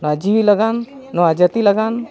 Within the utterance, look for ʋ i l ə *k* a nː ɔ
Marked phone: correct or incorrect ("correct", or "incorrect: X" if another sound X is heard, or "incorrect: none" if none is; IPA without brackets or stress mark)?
incorrect: ɡ